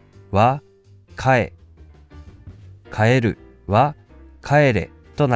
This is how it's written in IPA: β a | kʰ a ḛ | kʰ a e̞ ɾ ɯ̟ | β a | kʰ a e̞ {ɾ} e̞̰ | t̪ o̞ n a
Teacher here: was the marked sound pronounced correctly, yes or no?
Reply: yes